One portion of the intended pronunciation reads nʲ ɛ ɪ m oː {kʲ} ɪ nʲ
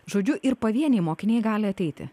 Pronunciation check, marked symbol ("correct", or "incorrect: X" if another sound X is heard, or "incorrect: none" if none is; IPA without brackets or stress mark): correct